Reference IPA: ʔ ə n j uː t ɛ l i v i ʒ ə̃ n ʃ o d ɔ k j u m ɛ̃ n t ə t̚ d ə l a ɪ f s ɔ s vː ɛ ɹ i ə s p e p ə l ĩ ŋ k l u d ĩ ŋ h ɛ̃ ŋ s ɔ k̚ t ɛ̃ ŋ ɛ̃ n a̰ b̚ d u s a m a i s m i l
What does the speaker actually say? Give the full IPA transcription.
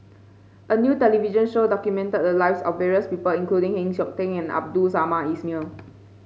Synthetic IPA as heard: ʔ ə n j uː t ɛ l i v i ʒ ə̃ n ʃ o d ɔ k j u m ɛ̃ n t ə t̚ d ə l a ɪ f s ɔ f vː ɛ ɹ i ə s p i p ə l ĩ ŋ k l u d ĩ ŋ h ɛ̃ ŋ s ɔ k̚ t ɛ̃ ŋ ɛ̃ n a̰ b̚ d u s a m a i s m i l